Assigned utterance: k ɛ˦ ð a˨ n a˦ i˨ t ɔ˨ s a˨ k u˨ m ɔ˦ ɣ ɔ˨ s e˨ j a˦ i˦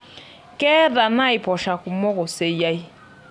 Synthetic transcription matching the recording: k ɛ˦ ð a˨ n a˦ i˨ p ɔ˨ ʃ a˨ k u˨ m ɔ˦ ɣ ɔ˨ s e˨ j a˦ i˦